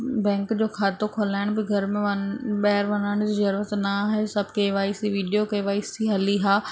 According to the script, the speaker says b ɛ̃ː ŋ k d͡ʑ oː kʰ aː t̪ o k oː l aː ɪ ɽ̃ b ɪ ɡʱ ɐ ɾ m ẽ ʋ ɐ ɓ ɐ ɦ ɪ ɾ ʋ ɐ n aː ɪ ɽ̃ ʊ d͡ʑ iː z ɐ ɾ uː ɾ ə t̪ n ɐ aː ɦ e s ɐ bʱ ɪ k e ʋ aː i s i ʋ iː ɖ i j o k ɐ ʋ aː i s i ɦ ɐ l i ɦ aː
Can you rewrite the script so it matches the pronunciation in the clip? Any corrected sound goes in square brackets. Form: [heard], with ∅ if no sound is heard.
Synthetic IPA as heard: b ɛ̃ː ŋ k d͡ʑ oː kʰ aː t̪ o [kʰ] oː l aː ɪ ɽ̃ b ɪ ɡʱ ɐ ɾ m ẽ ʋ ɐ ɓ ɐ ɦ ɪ ɾ ʋ ɐ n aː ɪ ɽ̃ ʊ d͡ʑ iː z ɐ ɾ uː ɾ ə t̪ n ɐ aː ɦ e s ɐ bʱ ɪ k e ʋ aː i s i ʋ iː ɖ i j o k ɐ ʋ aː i s i ɦ ɐ l i ɦ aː